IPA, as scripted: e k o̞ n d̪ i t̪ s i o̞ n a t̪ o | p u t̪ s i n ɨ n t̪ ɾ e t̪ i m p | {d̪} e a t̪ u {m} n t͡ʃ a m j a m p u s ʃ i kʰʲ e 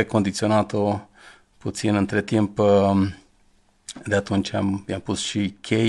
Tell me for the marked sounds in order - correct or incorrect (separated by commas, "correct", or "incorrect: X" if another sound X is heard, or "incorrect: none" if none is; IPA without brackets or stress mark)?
correct, incorrect: none